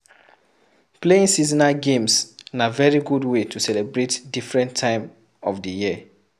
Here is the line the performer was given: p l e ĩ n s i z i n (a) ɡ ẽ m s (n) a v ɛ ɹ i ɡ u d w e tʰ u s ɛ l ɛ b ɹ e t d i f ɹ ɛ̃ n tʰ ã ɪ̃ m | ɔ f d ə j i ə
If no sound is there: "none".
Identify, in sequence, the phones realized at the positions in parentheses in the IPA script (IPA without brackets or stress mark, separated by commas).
a, n